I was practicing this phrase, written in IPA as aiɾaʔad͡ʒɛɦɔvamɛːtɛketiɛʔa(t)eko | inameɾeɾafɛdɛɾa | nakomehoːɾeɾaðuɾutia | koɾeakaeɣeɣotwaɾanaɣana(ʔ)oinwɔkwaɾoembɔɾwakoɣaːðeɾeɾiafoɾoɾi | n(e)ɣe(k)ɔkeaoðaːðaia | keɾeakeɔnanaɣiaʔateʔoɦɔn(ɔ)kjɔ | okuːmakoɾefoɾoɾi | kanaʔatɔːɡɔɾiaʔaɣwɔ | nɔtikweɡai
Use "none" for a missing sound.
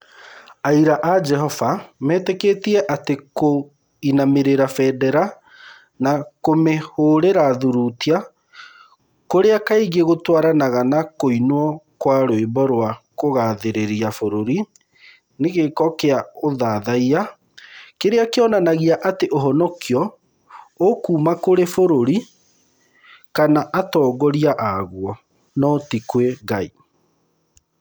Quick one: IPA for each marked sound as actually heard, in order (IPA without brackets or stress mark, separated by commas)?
t, k, e, k, ɔ